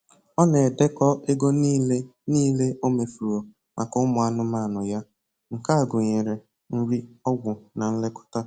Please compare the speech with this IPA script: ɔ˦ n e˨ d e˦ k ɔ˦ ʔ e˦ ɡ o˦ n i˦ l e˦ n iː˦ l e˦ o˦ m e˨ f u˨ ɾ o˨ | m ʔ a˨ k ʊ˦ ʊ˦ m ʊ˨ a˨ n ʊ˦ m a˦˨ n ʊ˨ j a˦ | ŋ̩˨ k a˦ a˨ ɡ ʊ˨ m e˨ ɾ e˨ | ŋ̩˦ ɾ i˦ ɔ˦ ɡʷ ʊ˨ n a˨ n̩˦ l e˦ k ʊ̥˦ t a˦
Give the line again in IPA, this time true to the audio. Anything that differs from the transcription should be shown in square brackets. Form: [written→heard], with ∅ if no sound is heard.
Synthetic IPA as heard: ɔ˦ n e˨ d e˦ k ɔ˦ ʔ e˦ ɡ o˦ n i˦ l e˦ n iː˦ l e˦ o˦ m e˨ f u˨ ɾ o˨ | m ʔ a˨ k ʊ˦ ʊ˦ m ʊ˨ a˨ n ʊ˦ m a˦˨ n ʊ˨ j a˦ | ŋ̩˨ k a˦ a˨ ɡ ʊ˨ [m→ɲ] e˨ ɾ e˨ | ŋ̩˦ ɾ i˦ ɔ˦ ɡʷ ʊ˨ n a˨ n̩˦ l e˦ k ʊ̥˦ t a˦